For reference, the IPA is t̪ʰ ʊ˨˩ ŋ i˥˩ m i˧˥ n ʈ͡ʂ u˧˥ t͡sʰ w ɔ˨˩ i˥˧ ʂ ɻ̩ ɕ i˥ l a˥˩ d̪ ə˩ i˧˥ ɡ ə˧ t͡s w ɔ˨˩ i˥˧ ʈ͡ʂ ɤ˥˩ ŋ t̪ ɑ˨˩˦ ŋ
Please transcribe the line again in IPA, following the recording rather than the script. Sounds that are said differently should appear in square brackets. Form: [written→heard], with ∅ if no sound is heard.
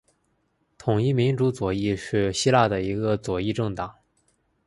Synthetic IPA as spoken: t̪ʰ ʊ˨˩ ŋ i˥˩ m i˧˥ n ʈ͡ʂ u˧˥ [t͡sʰ→t͡s] w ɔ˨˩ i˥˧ ʂ ɻ̩ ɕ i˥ l a˥˩ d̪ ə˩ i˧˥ ɡ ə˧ t͡s w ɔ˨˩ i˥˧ ʈ͡ʂ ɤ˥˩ ŋ t̪ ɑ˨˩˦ ŋ